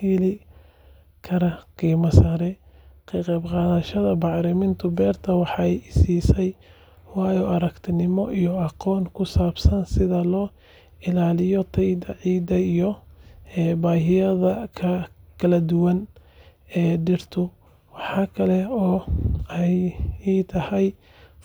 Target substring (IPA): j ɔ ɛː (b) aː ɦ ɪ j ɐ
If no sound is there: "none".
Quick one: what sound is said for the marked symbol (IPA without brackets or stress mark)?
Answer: b